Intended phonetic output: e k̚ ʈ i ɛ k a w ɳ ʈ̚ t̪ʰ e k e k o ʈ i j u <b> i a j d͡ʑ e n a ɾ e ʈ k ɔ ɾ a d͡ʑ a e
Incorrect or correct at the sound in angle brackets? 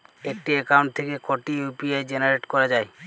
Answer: incorrect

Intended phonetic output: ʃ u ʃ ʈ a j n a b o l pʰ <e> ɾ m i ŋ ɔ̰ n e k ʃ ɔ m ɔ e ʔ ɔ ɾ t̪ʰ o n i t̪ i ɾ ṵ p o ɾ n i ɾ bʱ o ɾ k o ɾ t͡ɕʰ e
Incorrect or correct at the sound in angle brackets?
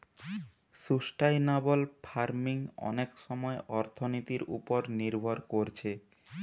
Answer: incorrect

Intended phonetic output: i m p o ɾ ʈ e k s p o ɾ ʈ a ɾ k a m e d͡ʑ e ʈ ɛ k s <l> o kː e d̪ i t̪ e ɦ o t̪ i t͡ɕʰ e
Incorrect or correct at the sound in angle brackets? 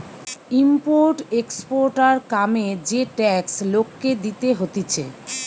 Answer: correct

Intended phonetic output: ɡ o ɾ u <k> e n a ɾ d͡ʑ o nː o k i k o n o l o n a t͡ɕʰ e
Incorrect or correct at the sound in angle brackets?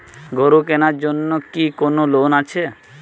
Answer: correct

